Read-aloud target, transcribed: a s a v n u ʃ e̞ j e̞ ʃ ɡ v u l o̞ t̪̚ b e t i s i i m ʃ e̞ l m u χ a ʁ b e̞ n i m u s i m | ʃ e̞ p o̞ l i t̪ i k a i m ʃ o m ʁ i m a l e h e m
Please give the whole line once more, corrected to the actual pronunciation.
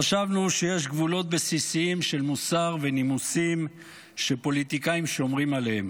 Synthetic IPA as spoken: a ʃ a v n u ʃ e̞ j e̞ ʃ ɡ v u l o̞ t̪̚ b e s i s i i m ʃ e̞ l m u s a ʁ v e̞ n i m u s i m | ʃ e̞ p o̞ l i t̪ i k a i m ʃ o m ʁ i m a l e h e m